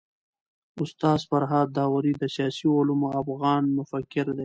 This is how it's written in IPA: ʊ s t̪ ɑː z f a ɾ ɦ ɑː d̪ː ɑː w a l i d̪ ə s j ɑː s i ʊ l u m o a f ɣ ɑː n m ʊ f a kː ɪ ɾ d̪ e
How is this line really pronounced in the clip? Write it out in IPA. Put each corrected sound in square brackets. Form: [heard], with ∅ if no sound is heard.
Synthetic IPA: ʊ s t̪ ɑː z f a ɾ ɦ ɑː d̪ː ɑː w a [ɾ] i d̪ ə s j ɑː s i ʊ l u m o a f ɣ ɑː n m ʊ f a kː ɪ ɾ d̪ e